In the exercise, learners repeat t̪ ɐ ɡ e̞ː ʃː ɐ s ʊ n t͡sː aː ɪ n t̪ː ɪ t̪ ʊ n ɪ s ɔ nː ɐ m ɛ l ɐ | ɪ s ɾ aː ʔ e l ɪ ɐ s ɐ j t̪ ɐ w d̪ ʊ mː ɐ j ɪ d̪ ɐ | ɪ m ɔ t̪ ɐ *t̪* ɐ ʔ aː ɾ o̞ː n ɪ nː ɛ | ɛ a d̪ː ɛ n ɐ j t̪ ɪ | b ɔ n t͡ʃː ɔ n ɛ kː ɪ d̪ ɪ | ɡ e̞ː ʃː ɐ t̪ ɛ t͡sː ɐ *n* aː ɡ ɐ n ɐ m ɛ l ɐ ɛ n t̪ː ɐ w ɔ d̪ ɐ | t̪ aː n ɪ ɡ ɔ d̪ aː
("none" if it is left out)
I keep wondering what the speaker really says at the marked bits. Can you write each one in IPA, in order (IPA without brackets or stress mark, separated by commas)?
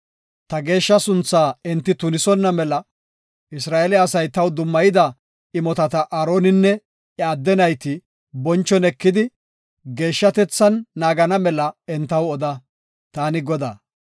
t̪, nː